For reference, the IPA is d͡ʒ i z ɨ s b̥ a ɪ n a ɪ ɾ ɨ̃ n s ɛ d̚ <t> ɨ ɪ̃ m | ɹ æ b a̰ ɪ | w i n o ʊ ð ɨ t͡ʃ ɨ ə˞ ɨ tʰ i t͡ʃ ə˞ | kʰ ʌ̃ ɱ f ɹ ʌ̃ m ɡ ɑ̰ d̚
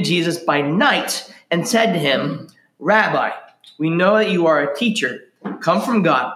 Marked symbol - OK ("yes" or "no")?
yes